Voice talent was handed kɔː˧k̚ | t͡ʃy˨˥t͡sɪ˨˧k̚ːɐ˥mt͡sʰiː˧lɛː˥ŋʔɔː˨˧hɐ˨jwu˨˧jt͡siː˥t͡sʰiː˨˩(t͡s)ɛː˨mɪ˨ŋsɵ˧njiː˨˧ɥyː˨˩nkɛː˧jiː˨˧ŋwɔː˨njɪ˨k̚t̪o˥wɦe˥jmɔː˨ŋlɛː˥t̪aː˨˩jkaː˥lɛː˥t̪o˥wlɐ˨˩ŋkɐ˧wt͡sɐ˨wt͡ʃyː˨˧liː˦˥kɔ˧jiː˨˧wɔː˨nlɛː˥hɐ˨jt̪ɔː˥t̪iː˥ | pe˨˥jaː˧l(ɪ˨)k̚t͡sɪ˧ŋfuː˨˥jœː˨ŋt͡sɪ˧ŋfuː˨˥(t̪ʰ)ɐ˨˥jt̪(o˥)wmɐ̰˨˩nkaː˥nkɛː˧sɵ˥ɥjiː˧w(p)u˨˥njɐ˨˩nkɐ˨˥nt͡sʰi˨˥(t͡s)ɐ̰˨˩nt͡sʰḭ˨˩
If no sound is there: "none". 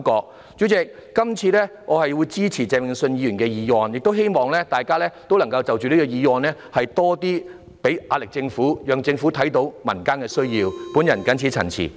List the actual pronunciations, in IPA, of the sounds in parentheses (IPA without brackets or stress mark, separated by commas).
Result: t͡s, ɪ˨, t̪ʰ, o˨˥, p, t͡sʰ